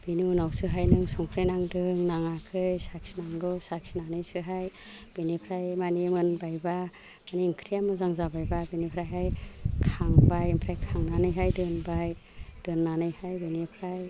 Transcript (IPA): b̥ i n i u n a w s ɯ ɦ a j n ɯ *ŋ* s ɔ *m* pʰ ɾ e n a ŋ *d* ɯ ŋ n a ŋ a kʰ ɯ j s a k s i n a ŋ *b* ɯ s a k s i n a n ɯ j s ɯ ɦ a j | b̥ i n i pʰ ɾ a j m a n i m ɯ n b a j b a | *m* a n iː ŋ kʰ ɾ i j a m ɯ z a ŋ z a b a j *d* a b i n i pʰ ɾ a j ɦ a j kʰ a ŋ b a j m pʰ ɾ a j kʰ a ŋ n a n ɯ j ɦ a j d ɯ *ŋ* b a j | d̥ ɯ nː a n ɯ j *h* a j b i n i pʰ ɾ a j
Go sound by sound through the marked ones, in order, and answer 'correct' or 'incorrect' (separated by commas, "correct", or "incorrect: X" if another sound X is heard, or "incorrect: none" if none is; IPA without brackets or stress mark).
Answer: correct, incorrect: ŋ, correct, incorrect: ɡ, correct, incorrect: b, incorrect: n, correct